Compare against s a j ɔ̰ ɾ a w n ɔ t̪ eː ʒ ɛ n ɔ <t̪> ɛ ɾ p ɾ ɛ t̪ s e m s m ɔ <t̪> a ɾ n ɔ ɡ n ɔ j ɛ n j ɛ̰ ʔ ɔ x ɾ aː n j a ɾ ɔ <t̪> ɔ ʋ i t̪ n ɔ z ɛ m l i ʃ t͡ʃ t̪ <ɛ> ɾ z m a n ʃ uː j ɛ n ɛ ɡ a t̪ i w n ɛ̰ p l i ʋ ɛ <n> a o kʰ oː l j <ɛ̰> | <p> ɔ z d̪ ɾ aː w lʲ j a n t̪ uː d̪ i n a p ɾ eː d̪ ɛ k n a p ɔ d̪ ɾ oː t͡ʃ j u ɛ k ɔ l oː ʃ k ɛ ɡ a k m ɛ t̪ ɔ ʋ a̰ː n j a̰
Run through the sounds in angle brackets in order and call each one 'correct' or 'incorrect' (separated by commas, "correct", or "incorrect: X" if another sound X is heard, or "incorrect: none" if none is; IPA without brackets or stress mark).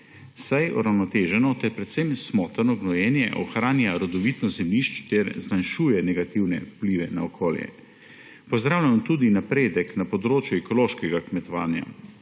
correct, correct, incorrect: d̪, correct, correct, correct, correct